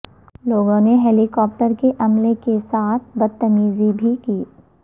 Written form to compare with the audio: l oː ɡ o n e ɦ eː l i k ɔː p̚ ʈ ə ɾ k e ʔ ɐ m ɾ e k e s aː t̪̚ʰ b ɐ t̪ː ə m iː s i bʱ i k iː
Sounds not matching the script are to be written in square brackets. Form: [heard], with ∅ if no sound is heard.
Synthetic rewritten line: l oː ɡ [õ] n e ɦ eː l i k ɔː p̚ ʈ ə ɾ k e ʔ ɐ m [l] e k e s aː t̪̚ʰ b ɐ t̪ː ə m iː [z] i bʱ i k iː